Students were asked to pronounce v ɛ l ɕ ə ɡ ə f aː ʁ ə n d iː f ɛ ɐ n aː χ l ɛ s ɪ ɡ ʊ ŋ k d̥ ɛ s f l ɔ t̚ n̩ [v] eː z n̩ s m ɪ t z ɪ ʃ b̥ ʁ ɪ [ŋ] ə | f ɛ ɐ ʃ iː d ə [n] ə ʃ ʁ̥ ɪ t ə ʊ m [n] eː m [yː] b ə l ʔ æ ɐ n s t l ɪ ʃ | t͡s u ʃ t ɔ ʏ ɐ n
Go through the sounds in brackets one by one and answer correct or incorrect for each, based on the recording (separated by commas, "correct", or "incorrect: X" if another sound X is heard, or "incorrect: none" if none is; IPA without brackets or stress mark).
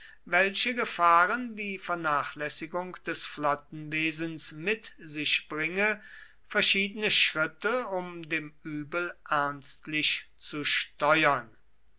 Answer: correct, correct, correct, incorrect: d, correct